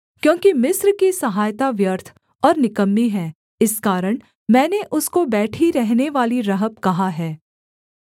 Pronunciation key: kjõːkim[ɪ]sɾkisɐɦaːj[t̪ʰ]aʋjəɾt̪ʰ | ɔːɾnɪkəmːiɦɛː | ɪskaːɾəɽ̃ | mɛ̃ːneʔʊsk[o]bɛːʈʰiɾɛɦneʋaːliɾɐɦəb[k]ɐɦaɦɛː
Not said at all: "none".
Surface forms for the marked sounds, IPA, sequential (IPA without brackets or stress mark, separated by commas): ɪ, t̪, o, k